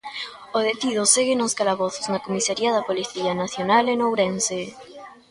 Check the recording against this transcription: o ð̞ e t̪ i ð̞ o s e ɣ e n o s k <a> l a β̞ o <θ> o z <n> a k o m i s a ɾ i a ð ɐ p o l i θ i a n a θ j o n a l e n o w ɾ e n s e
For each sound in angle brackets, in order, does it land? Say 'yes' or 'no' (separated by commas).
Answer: yes, yes, yes